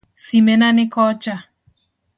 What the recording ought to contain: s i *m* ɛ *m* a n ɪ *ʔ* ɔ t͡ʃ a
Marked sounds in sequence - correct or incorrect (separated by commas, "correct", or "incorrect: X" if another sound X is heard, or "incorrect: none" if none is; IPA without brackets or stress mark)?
correct, incorrect: n, incorrect: k